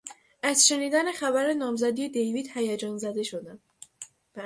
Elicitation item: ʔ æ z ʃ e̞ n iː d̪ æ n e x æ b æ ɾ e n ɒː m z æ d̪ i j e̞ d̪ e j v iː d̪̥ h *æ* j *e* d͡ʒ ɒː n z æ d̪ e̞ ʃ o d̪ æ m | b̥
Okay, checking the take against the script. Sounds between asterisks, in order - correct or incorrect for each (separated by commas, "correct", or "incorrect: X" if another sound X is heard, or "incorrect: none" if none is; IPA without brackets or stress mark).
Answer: correct, incorrect: æ